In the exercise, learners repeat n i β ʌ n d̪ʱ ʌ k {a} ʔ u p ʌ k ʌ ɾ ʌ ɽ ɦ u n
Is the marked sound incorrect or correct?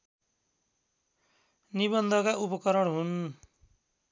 correct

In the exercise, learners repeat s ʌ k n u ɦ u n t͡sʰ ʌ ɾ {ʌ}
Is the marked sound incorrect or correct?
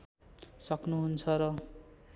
correct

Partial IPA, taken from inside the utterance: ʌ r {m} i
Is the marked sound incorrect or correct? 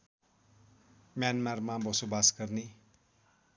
incorrect: n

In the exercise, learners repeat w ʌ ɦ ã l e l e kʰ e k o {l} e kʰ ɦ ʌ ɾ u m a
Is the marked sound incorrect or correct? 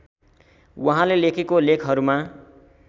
correct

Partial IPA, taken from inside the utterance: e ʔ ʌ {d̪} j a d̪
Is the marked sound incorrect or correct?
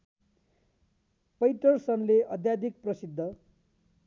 correct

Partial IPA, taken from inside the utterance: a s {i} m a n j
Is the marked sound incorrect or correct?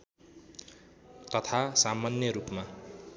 incorrect: a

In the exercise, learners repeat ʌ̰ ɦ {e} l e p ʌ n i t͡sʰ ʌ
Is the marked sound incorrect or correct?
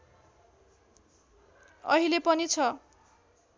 incorrect: i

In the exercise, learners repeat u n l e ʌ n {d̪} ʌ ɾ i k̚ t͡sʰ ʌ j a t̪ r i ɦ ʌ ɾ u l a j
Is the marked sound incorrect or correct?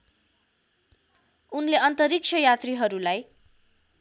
incorrect: t̪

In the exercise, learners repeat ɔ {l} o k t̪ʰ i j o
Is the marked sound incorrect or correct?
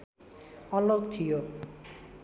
correct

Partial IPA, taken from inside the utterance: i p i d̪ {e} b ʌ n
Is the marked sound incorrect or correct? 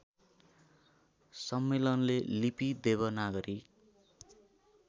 correct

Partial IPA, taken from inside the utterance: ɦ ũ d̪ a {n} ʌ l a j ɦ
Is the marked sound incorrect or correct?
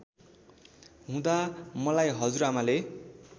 incorrect: m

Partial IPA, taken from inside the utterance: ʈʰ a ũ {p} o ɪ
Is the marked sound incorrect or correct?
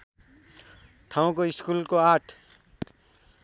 incorrect: k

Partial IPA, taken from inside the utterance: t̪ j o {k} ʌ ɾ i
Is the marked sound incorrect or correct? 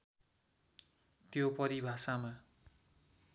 incorrect: p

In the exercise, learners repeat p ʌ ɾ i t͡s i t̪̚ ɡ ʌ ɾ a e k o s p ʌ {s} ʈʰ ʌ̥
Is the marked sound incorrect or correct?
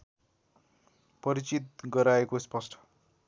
correct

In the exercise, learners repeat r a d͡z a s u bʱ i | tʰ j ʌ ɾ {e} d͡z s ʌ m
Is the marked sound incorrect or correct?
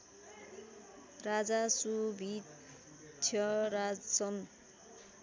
incorrect: a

